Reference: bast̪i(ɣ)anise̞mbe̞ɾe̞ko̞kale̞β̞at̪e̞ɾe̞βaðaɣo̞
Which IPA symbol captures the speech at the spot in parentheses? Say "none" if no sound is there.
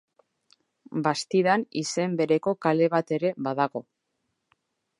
ð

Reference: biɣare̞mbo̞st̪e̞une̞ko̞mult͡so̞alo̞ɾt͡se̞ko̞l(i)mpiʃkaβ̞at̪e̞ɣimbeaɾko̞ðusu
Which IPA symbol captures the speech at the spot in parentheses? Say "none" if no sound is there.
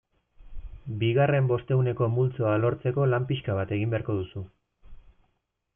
a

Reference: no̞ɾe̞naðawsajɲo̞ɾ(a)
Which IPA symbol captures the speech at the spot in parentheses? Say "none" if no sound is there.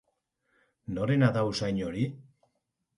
i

